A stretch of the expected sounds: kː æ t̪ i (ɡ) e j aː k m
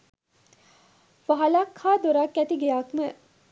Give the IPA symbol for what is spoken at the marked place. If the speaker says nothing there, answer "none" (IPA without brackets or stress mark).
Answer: ɡ